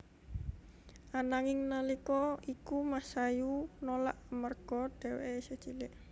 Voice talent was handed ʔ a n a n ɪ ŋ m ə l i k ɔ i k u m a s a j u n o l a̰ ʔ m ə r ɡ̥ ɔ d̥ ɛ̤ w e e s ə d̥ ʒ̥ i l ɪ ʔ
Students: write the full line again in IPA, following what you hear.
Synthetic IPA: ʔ a n a ŋ ɪ ŋ n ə l i k ɔ i k u m a s a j u n o l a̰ ʔ m ə r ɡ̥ ɔ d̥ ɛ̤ w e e s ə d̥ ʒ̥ i l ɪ ʔ